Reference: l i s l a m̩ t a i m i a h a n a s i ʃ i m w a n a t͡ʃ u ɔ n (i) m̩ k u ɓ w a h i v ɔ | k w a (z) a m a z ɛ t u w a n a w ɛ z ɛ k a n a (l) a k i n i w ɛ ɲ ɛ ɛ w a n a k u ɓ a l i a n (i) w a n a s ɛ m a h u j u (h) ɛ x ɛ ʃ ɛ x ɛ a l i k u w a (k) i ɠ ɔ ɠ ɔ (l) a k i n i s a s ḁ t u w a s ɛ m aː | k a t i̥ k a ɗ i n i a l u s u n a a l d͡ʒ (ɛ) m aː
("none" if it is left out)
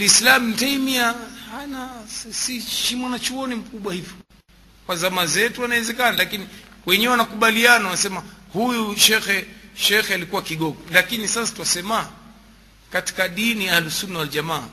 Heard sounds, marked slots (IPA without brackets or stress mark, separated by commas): i, z, l, a, ʃ, k, l, a